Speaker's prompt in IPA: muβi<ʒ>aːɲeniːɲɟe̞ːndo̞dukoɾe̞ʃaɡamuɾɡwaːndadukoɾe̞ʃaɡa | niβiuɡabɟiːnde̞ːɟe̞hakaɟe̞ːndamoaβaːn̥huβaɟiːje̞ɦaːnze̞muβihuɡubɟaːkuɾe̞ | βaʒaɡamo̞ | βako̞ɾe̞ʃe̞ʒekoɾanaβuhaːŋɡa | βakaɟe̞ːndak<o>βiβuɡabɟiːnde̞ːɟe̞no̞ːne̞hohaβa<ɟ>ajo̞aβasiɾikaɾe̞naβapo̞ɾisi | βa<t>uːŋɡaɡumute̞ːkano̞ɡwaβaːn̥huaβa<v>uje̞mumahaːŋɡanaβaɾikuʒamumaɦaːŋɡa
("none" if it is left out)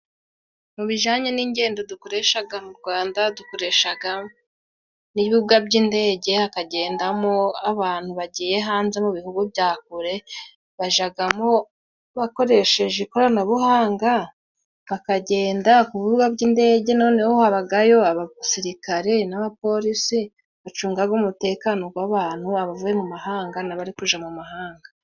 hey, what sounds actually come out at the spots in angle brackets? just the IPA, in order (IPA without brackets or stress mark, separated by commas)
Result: ʒ, u, ɡ, t͡ʃ, v